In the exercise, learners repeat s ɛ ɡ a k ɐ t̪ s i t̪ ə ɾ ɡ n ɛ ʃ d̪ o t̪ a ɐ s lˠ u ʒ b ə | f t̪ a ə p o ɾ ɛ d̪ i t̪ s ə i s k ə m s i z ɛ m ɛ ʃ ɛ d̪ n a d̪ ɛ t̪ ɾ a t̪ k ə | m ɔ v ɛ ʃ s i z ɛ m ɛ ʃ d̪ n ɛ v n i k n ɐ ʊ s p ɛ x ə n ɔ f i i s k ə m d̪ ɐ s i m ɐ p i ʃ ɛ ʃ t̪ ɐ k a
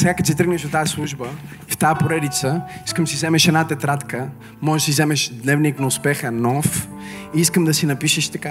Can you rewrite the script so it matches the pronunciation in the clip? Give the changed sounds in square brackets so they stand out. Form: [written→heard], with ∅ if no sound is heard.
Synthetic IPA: s ɛ ɡ a k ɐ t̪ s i t̪ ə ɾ ɡ n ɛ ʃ d̪ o t̪ a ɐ s lˠ u ʒ b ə | f t̪ a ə p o ɾ ɛ d̪ i t̪ s ə i s k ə m s i z ɛ m ɛ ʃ ɛ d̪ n a [d̪→t̪] ɛ t̪ ɾ a t̪ k ə | m ɔ [v→ʒ] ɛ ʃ s i z ɛ m ɛ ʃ d̪ n ɛ v n i k n ɐ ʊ s p ɛ x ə n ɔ f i i s k ə m d̪ ɐ s i [m→n] ɐ p i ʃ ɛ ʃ t̪ ɐ k a